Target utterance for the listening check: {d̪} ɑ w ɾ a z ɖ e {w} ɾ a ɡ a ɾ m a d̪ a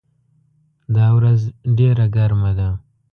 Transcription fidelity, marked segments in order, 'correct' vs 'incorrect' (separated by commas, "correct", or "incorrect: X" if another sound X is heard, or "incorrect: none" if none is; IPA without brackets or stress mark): correct, incorrect: none